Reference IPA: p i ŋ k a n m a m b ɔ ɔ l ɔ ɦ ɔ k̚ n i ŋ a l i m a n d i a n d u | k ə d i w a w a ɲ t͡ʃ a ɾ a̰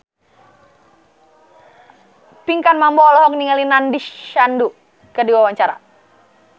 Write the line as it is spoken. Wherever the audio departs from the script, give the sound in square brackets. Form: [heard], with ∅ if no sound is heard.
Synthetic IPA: p i ŋ k a n m a m b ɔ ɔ l ɔ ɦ ɔ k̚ n i ŋ a l i [n] a n d i a n d u | k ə d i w a w a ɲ t͡ʃ a ɾ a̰

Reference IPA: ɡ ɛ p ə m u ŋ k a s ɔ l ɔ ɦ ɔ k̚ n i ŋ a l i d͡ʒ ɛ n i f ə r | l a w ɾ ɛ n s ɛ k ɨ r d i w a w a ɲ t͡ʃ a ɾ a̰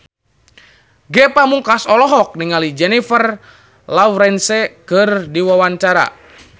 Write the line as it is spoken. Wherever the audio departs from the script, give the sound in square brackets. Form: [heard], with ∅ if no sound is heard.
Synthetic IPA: ɡ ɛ p [a] m u ŋ k a s ɔ l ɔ ɦ ɔ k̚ n i ŋ a l i d͡ʒ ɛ n i f ə r | l a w ɾ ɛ n s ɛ k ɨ r d i w a w a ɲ t͡ʃ a ɾ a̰

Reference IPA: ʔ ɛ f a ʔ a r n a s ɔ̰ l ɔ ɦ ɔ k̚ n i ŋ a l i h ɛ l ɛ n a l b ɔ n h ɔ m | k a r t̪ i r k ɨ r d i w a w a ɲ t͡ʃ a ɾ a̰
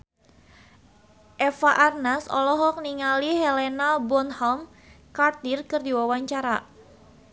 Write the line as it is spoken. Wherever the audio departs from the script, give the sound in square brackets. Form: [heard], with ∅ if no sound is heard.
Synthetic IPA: ʔ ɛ f a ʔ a r n a s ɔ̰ l ɔ ɦ ɔ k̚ n i ŋ a l i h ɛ l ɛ n a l b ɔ n h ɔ m | k a r t̪ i r k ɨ r d i w a w a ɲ t͡ʃ a ɾ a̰

